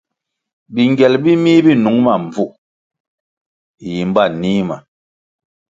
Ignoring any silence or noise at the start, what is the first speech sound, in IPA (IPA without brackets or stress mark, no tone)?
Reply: b